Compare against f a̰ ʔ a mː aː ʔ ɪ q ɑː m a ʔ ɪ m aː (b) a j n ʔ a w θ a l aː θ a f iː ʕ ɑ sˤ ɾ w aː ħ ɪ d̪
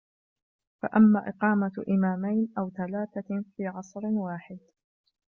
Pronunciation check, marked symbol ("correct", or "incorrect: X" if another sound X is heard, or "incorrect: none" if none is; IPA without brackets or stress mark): incorrect: m